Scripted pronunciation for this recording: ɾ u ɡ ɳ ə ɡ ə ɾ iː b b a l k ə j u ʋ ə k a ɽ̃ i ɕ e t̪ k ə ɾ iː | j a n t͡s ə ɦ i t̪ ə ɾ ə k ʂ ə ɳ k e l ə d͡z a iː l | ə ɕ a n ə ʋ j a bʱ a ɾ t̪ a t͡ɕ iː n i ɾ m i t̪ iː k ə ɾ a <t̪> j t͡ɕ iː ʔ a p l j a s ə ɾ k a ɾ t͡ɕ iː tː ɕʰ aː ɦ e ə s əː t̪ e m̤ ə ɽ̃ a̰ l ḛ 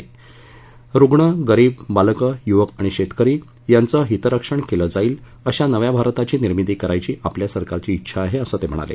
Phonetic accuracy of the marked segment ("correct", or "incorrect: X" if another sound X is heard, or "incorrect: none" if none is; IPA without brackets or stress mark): incorrect: none